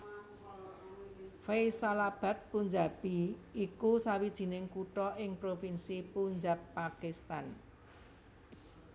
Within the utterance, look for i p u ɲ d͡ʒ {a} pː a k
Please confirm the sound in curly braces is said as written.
yes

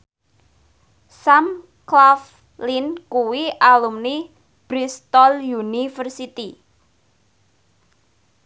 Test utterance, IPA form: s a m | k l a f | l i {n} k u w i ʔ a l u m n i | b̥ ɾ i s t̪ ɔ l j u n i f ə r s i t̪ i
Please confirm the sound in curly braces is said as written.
yes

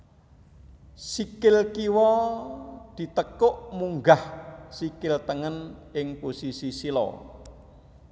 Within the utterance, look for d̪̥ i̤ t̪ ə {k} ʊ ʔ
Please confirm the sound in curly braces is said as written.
yes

